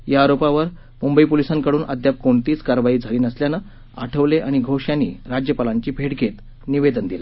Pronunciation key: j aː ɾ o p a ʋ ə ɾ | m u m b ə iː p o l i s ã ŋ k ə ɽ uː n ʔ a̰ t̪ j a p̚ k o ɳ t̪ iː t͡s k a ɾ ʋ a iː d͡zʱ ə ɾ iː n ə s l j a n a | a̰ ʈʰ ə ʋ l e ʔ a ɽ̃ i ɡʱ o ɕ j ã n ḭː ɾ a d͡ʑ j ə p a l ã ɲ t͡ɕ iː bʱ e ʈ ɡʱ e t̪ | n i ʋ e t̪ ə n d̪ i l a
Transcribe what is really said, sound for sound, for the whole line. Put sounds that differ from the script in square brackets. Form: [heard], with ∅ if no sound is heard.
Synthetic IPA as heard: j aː ɾ o p a ʋ ə ɾ | m u m b ə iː p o l i s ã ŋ k ə ɽ uː n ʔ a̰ [d̪] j a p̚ k o ɳ t̪ iː t͡s k a ɾ ʋ a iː d͡zʱ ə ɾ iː n ə s l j a n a | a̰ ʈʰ ə ʋ l e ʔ a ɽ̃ i ɡʱ o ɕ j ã n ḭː ɾ a d͡ʑ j ə p a l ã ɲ t͡ɕ iː bʱ e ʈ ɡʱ e t̪ | n i ʋ e [d̪] ə n d̪ i l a